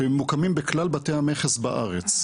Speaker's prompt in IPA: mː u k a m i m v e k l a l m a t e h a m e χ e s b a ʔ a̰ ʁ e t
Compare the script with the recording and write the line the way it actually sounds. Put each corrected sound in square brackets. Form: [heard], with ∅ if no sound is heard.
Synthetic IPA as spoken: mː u k a m i m [b] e k l a l [b] a t e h a m e χ e s b a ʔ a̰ ʁ e [t͡s]